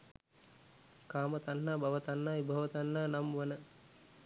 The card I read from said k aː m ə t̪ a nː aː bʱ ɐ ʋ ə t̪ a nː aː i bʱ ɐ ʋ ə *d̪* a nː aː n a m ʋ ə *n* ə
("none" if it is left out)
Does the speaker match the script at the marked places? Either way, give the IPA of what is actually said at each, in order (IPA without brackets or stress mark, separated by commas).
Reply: t̪, n